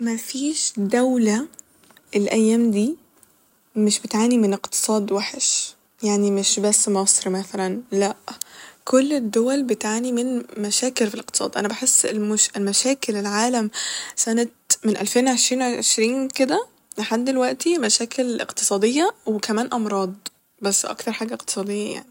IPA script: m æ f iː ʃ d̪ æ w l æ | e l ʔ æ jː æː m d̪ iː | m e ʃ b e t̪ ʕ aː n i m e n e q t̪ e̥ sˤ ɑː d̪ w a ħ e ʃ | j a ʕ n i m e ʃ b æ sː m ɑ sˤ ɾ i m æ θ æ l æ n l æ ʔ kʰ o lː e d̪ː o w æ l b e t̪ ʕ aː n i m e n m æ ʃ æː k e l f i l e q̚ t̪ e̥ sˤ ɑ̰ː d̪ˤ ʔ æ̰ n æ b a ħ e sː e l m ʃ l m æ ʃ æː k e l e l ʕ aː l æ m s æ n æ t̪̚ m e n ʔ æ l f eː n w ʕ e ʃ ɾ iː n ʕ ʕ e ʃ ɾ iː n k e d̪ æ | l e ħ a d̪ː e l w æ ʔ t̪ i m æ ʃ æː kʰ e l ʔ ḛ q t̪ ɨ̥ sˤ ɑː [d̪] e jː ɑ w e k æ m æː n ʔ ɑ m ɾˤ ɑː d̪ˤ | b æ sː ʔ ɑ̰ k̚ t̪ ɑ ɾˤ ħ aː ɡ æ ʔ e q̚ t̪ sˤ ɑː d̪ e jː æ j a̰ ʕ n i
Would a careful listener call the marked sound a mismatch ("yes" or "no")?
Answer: no